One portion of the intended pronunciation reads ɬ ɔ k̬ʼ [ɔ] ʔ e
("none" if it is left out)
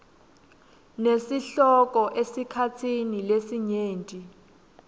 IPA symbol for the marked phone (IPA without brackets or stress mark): ɔ